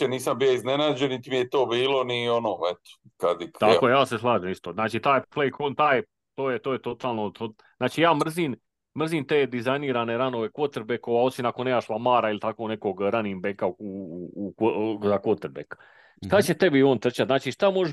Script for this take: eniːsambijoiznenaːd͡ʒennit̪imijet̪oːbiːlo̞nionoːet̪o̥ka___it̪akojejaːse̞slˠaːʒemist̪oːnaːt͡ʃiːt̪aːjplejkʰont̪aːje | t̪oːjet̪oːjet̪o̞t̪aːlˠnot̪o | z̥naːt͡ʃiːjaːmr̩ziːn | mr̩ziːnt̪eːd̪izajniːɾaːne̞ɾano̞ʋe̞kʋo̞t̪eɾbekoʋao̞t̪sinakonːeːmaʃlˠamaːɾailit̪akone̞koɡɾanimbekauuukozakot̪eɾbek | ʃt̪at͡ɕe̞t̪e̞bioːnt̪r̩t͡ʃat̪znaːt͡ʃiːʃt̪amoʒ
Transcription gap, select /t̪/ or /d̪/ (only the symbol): d̪